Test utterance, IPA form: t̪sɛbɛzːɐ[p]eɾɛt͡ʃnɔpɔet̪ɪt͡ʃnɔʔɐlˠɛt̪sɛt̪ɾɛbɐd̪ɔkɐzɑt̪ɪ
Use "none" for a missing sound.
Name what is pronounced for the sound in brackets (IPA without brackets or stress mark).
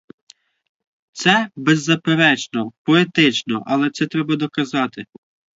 p